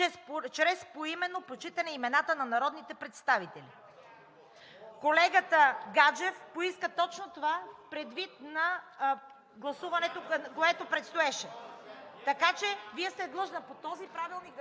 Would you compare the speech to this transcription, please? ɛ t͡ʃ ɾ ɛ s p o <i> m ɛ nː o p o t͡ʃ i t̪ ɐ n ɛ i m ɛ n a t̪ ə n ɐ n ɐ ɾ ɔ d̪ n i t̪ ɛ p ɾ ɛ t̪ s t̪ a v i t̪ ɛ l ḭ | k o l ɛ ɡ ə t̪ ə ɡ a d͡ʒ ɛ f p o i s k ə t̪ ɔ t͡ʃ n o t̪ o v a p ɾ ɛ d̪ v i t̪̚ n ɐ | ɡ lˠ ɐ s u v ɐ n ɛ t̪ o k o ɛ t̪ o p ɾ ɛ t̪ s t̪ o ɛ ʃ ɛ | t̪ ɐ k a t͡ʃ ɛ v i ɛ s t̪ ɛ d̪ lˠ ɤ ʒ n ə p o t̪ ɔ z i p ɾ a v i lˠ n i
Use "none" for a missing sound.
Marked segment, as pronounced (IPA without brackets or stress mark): i